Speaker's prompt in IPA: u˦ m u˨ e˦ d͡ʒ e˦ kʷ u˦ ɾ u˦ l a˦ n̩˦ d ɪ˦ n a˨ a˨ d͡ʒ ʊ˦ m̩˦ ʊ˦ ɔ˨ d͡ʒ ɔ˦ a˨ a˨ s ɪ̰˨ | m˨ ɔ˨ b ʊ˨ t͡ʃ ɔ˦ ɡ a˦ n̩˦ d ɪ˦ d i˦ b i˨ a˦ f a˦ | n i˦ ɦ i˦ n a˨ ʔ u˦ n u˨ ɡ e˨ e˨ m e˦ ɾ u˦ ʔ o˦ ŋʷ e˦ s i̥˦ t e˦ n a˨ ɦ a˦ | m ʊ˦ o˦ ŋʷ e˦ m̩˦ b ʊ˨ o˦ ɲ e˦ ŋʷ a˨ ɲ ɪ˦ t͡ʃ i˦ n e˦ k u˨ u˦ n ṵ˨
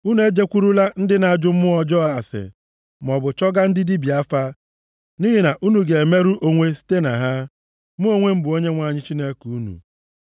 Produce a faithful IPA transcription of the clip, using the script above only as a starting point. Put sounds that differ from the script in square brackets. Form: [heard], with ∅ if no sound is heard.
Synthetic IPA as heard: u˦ [n] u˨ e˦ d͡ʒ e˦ kʷ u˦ ɾ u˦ l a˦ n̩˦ d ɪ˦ n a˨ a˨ d͡ʒ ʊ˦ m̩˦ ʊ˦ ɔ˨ d͡ʒ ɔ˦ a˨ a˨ s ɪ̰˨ | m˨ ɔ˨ b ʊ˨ t͡ʃ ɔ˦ ɡ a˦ n̩˦ d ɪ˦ d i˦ b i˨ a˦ f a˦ | n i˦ ɦ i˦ n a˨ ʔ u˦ n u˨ ɡ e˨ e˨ m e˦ ɾ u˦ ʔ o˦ ŋʷ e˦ s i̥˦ t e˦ n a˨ ɦ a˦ | m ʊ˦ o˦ ŋʷ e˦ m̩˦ b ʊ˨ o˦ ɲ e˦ ŋʷ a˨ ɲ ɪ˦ t͡ʃ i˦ n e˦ k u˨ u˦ n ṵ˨